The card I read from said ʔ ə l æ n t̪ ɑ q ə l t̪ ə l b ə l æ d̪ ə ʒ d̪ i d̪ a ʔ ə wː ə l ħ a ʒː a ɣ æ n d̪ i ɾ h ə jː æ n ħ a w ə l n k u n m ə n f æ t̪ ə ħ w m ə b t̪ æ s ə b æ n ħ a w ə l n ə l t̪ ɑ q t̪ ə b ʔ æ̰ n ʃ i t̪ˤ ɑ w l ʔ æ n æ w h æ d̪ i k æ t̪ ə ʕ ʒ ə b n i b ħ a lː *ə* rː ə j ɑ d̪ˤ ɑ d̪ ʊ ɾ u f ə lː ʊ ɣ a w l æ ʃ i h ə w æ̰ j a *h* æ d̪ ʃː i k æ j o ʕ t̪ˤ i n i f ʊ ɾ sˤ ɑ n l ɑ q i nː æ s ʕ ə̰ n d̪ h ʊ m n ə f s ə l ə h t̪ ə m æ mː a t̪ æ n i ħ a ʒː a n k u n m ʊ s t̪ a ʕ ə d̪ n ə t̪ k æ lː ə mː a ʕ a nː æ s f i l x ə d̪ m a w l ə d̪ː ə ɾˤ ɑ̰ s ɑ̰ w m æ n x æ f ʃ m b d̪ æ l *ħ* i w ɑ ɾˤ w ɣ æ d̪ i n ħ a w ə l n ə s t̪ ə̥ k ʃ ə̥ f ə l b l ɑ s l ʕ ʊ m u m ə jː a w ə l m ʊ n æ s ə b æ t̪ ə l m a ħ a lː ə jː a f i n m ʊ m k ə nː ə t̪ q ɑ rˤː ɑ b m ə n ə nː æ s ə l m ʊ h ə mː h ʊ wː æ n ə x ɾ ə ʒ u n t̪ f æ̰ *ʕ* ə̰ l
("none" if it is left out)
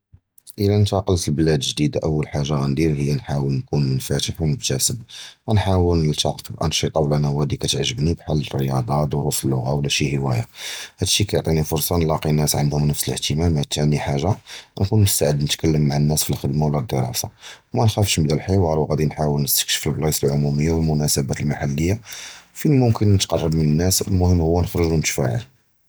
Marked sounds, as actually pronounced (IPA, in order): ə, h, ħ, ʕ

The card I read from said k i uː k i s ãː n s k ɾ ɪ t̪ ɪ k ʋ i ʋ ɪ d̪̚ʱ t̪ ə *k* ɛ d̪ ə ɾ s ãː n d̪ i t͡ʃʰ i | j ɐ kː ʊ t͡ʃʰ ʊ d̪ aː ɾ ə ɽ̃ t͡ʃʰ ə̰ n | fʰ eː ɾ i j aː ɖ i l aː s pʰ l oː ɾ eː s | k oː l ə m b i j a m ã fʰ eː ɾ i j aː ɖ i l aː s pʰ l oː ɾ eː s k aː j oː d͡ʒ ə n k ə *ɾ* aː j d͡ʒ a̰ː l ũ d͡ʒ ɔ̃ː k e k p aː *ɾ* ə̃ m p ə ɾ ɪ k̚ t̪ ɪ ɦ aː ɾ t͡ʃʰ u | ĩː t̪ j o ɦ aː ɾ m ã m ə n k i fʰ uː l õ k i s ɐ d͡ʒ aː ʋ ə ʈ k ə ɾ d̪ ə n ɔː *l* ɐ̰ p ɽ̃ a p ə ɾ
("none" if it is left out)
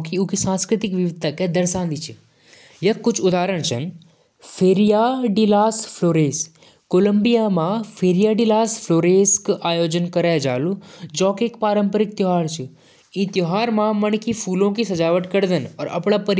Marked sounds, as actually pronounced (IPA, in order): k, ɾ, ɾ, ɾ

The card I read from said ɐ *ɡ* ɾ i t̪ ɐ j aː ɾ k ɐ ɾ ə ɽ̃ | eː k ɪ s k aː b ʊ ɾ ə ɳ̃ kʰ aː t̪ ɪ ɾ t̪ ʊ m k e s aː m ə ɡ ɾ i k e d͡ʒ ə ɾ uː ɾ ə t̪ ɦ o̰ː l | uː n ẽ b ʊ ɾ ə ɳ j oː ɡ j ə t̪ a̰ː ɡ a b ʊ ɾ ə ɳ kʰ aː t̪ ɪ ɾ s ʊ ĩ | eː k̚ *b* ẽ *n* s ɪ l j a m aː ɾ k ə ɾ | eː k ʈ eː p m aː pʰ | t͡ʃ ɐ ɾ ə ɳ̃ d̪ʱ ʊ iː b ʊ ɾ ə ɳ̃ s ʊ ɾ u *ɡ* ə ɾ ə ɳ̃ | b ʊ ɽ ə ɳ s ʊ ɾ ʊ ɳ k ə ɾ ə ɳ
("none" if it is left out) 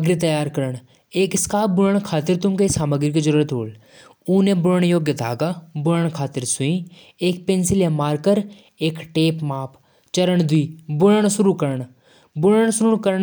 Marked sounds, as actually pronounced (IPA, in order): ɡ, p, n, k

